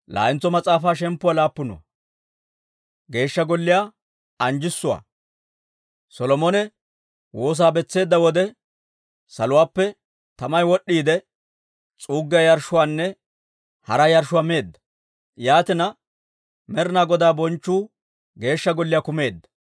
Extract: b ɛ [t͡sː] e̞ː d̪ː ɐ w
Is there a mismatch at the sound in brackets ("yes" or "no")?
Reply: no